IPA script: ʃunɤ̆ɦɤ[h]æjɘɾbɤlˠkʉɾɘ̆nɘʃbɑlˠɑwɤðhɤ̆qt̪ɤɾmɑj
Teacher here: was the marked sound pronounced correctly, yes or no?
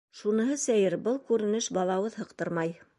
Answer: no